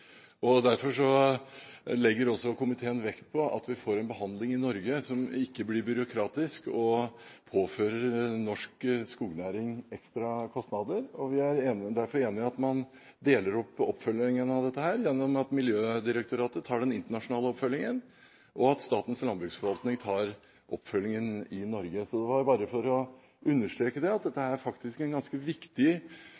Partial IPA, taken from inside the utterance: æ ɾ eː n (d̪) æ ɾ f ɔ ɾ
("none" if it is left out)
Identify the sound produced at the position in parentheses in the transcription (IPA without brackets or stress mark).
d̪